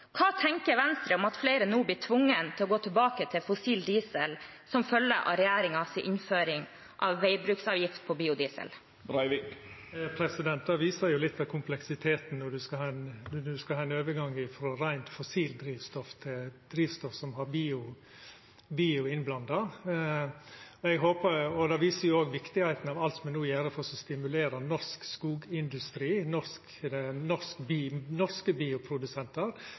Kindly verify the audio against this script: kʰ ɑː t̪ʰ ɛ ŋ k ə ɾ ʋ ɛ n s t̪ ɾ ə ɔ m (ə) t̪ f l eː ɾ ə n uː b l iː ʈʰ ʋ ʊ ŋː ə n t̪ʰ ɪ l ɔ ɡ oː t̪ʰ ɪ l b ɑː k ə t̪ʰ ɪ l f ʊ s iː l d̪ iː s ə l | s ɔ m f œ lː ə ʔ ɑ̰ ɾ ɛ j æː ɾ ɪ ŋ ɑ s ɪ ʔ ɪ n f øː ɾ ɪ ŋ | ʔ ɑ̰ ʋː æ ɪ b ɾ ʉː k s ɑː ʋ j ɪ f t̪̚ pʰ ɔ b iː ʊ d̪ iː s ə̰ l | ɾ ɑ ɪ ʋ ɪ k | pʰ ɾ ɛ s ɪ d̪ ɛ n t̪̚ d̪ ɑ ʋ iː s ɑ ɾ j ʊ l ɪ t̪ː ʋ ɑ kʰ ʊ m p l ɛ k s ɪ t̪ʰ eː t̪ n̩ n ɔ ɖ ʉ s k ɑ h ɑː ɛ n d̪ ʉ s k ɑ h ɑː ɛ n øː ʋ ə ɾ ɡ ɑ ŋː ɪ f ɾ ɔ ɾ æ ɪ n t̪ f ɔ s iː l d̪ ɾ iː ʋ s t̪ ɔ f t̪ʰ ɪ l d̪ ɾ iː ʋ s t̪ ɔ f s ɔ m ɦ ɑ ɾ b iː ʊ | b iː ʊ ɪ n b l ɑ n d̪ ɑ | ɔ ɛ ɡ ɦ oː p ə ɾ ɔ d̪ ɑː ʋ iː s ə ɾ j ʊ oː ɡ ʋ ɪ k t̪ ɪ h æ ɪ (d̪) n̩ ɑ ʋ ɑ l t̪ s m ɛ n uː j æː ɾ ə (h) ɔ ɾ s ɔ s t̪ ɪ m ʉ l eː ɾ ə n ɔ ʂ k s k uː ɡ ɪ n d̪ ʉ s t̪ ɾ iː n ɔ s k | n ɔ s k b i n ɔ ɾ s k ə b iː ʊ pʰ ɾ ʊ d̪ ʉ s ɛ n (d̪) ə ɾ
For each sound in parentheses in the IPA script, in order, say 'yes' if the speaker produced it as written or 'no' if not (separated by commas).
no, no, no, no